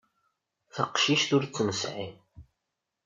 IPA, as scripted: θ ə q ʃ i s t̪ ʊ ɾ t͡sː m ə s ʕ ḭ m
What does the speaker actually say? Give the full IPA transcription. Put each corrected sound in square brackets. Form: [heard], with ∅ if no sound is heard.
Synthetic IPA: θ ə q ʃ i [ʃ] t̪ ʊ ɾ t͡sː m ə s ʕ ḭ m